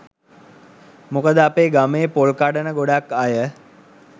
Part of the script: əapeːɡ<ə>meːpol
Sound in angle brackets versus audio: incorrect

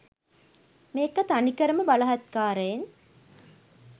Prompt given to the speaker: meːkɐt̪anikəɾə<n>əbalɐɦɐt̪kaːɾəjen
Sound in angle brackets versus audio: incorrect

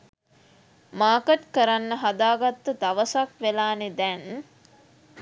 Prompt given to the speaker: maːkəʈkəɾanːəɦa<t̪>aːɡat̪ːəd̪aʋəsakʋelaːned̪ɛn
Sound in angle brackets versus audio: incorrect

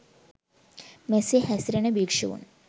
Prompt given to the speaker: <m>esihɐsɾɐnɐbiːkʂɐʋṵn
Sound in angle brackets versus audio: correct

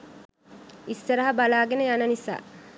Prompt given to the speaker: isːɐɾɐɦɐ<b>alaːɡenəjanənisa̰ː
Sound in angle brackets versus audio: correct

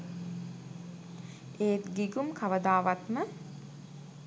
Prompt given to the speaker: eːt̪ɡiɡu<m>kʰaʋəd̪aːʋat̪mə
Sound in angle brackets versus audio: correct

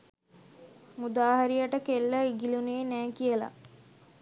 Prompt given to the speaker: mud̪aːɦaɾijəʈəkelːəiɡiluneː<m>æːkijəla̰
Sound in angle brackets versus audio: incorrect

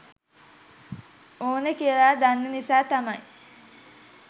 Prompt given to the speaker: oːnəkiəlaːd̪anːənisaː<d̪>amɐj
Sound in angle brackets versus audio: incorrect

